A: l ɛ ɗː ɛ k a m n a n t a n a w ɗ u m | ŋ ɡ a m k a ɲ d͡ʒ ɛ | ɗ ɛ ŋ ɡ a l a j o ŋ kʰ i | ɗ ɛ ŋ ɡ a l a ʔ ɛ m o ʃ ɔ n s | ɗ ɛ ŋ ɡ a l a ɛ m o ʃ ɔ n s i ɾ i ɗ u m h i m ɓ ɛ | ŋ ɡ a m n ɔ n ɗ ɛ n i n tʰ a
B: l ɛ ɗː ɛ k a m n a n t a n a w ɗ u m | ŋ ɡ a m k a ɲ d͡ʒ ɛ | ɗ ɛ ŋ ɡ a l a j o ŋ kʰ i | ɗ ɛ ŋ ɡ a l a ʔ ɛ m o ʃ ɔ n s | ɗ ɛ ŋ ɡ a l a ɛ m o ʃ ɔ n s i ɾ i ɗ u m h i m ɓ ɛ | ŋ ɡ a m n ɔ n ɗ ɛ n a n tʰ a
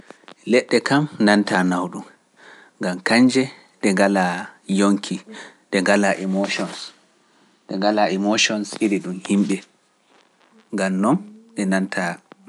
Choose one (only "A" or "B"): B